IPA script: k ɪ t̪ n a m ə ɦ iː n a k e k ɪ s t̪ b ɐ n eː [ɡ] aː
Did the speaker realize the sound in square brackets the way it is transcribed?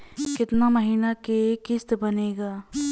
yes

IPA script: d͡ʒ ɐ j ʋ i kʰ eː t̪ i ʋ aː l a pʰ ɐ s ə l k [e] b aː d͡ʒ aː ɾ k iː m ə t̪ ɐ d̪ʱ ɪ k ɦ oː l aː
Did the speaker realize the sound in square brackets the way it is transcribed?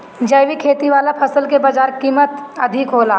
yes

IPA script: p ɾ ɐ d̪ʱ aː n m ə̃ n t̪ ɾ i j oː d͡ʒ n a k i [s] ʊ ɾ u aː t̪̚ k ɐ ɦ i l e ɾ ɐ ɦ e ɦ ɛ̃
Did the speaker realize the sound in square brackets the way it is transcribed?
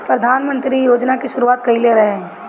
no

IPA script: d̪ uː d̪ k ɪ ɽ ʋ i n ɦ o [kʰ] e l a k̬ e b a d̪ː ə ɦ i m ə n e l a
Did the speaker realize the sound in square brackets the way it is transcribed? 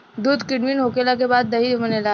no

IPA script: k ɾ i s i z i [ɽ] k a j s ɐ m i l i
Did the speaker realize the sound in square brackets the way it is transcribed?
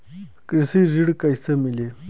yes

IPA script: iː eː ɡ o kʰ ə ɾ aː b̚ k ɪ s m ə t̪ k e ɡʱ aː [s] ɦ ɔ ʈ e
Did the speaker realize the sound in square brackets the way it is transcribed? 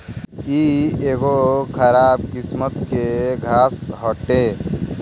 yes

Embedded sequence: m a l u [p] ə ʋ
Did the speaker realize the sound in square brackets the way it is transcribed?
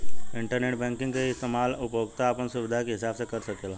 yes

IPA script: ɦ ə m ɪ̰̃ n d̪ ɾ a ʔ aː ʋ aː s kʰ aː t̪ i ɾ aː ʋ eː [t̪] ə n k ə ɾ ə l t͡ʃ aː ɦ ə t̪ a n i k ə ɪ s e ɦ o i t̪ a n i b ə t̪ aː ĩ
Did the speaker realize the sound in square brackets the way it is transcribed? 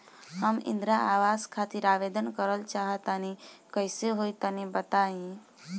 no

